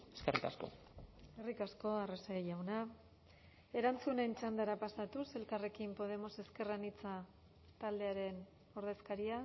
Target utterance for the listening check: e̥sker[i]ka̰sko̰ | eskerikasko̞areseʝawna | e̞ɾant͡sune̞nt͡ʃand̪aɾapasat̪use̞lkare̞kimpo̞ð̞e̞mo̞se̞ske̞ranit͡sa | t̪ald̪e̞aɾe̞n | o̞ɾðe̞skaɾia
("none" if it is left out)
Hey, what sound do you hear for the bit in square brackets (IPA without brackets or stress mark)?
i